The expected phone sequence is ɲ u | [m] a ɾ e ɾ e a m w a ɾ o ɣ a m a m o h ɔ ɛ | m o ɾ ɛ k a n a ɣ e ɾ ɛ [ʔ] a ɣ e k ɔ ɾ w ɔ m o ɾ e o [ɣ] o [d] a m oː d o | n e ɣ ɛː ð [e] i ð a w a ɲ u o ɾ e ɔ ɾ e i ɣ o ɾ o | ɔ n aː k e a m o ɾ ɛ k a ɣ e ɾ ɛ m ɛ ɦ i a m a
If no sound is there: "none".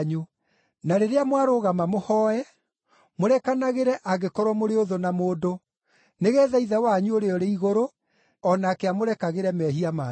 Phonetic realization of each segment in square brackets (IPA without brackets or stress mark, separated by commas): n, ʔ, ð, n, a